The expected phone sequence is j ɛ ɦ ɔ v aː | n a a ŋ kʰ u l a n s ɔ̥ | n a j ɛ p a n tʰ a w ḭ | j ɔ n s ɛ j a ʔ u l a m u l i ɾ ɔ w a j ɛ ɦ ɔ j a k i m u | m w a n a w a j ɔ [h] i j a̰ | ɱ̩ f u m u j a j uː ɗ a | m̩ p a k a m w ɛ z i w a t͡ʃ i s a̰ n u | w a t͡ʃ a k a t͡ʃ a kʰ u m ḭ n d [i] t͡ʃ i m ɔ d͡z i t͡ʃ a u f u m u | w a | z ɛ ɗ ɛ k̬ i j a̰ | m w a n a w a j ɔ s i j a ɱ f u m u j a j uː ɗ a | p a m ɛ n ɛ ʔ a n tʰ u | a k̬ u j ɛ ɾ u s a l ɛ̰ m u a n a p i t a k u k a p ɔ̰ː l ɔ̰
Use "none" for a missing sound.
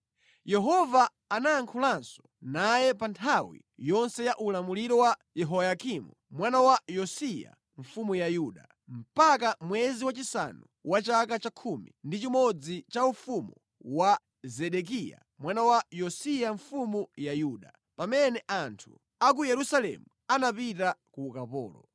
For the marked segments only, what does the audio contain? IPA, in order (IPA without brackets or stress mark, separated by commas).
s, i